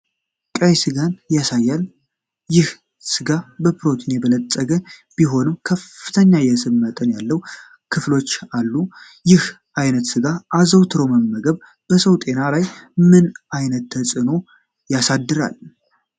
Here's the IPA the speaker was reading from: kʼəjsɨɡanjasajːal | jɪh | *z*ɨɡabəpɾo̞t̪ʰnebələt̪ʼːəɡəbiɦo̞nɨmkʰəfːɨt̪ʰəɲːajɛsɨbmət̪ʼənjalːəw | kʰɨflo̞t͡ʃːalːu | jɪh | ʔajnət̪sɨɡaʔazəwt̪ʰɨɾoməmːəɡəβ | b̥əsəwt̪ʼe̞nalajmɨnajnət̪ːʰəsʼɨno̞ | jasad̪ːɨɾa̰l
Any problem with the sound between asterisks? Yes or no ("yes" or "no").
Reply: yes